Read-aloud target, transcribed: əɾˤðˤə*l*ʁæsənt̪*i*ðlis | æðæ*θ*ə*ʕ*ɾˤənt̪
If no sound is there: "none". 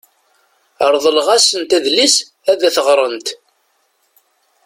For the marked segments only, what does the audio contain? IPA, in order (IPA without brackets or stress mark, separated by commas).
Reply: l, æ, θ, ʁ